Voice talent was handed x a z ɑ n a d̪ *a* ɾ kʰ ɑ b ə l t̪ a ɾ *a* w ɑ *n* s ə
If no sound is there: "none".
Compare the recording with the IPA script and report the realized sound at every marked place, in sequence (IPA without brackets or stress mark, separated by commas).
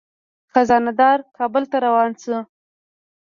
ɑ, a, n